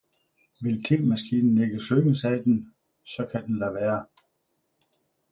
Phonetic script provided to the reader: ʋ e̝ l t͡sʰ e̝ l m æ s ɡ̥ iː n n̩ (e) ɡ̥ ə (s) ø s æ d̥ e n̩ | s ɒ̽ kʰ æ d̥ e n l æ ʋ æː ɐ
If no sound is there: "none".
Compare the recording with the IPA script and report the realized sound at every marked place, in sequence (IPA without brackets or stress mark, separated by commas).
e, s